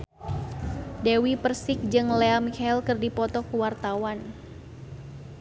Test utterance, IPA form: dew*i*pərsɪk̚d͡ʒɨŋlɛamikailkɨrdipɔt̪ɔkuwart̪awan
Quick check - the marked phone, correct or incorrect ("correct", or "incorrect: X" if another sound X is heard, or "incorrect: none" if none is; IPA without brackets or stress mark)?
correct